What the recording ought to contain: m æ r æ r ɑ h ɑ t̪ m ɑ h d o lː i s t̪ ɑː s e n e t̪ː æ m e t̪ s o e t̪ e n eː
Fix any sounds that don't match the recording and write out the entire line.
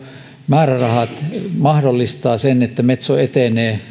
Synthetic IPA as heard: m æː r æ r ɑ h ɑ t̪ m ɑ h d o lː i s t̪ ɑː s e n e t̪ː æ m e t̪ s o e t̪ e n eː